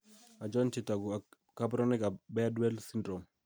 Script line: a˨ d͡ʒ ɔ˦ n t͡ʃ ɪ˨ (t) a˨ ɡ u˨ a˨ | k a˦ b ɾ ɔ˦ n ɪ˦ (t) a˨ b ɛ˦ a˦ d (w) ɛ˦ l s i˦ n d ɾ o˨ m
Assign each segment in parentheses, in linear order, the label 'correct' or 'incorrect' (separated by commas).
correct, incorrect, correct